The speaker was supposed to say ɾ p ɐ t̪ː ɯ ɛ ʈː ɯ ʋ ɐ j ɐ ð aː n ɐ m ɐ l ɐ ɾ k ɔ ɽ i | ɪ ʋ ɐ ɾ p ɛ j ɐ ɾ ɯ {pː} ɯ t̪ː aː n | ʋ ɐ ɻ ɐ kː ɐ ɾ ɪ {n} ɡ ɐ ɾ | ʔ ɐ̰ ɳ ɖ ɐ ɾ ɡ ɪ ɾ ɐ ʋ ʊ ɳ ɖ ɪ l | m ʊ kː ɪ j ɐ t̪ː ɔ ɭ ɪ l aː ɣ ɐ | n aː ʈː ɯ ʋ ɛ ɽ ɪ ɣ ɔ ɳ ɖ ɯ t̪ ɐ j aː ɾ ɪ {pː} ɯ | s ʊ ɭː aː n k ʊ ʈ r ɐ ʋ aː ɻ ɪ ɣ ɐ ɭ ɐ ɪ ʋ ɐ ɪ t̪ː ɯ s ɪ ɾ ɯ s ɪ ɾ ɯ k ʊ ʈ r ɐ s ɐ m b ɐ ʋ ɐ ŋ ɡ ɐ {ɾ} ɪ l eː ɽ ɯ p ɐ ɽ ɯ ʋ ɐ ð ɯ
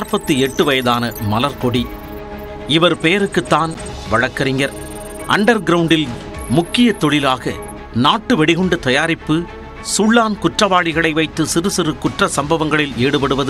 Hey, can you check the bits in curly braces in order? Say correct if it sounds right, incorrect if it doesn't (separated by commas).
incorrect, incorrect, correct, incorrect